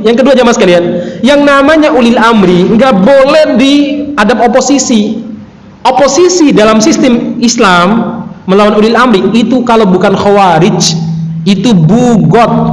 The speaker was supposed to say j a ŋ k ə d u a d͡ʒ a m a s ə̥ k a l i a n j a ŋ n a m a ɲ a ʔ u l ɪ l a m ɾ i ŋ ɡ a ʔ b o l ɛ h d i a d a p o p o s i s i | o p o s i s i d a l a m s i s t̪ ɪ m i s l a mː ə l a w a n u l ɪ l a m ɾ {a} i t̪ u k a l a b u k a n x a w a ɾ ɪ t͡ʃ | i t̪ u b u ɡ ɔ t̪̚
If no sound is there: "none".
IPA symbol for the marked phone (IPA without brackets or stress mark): i